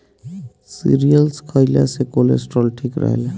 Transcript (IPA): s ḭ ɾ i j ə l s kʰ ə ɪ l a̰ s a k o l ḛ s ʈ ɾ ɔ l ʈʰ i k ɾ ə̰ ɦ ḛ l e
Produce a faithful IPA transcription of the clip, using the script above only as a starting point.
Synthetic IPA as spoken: s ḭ ɾ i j ə l s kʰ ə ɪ l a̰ s e k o l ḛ s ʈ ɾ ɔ l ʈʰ i k ɾ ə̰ ɦ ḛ l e